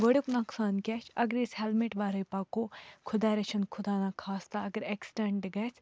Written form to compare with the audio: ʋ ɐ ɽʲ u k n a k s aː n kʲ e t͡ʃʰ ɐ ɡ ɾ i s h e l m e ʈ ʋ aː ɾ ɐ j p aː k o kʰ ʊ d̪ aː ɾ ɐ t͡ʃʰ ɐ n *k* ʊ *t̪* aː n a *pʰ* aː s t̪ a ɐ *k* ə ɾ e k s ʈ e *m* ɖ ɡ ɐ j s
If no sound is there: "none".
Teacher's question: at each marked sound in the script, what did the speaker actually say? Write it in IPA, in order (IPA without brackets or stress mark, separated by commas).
kʰ, d̪, kʰ, ɡ, ɳ